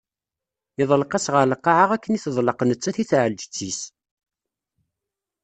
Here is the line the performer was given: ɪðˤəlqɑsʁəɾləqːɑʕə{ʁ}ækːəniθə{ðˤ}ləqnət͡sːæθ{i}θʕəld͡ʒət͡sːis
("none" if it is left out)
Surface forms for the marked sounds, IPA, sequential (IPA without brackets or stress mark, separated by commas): ʁ, ðˤ, i